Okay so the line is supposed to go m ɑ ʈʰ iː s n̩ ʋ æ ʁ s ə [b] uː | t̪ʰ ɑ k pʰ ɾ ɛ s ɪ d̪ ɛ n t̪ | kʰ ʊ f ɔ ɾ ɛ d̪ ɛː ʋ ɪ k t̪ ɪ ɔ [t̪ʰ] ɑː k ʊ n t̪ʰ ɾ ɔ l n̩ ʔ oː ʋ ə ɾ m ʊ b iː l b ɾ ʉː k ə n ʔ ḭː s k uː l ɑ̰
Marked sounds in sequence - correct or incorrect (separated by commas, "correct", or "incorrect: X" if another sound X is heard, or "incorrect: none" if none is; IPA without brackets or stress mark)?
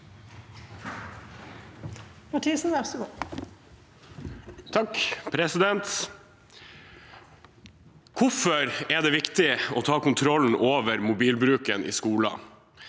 incorrect: ɡ, correct